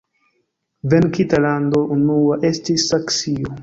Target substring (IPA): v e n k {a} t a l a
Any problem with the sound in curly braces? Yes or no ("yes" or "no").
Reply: yes